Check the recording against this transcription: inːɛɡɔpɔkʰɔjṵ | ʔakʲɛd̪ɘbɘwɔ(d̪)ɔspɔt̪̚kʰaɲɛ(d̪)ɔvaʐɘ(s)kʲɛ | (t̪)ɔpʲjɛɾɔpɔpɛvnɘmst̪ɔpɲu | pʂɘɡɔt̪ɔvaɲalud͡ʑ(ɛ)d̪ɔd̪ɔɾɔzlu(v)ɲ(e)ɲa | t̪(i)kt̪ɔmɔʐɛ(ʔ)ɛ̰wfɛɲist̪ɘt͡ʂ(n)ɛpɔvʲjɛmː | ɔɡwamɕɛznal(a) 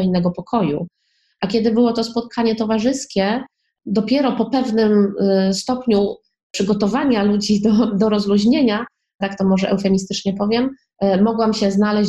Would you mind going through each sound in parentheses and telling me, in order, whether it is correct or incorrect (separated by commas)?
incorrect, incorrect, correct, incorrect, incorrect, incorrect, correct, incorrect, correct, incorrect, incorrect